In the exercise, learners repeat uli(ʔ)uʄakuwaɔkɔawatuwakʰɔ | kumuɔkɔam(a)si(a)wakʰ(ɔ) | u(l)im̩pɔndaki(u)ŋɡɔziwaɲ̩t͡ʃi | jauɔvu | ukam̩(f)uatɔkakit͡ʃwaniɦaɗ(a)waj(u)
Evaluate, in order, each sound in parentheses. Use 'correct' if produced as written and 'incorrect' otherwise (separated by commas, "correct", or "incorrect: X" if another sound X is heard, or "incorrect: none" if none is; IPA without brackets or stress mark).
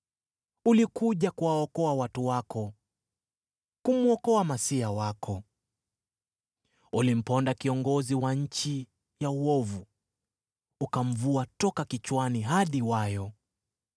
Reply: incorrect: k, correct, correct, correct, correct, incorrect: ɔ, incorrect: v, incorrect: i, incorrect: ɔ